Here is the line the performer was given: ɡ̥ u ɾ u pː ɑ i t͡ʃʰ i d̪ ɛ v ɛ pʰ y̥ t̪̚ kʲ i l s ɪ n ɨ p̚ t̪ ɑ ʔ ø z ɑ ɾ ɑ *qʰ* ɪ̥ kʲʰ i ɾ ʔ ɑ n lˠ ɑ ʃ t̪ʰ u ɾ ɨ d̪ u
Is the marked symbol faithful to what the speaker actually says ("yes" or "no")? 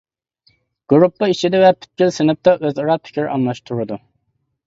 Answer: no